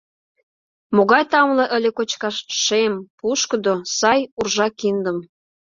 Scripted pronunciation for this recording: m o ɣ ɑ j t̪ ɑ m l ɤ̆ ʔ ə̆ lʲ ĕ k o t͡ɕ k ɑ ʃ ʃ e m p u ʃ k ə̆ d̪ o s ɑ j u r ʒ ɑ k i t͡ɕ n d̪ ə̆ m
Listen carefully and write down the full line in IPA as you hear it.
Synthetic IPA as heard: m o ɣ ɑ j t̪ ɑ m l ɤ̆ ʔ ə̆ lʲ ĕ k o t͡ɕ k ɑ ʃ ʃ e m p u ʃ k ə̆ d̪ o s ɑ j u r ʒ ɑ k i n d̪ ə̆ m